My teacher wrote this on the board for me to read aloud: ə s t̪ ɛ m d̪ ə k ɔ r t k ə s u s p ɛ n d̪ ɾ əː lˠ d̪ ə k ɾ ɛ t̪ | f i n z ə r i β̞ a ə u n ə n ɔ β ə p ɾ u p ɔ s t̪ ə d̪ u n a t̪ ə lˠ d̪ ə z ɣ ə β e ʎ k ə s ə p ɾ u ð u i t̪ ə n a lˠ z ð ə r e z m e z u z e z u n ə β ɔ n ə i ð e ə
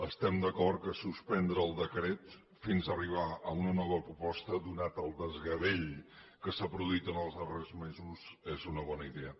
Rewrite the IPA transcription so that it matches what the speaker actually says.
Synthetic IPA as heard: ə s t̪ ɛ m d̪ ə k ɔ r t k ə s u s p ɛ n d̪ ɾ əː lˠ d̪ ə k ɾ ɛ t̪ | f i n z ə r i β̞ a ə u n ə n ɔ β ə p ɾ u p ɔ s t̪ ə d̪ u n a t̪ ə lˠ d̪ ə z ɣ ə β e ʎ k ə s a p ɾ u ð u i t̪ ə n ə lˠ z ð ə r e z m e z u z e z u n ə β ɔ n ə i ð e ə